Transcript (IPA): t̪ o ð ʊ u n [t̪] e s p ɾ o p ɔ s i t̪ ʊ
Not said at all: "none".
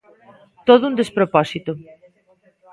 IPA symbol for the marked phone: d̪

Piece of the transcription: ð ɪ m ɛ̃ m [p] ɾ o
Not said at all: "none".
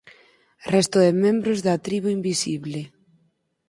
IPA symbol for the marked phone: b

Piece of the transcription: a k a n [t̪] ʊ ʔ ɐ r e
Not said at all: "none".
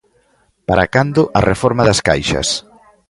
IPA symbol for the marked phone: d̪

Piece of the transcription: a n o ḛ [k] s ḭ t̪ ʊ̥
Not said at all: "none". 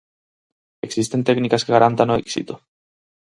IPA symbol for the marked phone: k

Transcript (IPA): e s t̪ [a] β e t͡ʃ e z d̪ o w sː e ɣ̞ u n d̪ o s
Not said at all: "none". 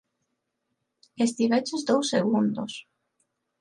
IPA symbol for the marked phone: i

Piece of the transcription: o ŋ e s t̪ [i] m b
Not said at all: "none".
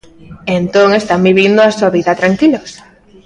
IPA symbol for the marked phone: a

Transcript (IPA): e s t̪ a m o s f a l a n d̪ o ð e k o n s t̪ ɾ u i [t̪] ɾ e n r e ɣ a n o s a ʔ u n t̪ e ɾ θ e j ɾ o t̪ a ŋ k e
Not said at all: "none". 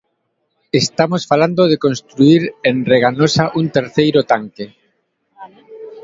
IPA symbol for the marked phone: none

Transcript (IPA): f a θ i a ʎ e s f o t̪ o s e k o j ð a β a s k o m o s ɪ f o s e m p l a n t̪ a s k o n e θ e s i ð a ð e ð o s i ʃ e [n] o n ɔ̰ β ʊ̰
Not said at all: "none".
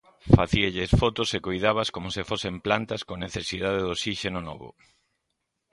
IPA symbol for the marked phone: n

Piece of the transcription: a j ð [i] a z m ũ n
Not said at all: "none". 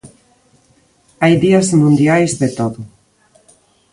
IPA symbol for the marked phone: i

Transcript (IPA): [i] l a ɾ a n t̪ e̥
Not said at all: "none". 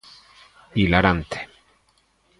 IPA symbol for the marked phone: i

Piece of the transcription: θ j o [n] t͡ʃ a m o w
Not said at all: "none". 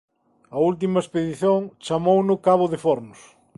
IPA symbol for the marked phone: ŋ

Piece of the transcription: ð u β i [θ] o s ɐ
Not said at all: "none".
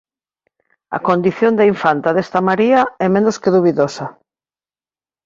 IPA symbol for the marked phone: ð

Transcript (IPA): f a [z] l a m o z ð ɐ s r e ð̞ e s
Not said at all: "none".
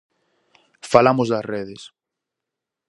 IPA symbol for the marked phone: none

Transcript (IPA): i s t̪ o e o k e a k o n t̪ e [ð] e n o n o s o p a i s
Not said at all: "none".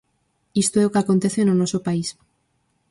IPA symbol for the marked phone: θ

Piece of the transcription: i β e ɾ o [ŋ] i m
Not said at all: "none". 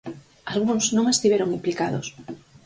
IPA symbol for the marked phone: ŋ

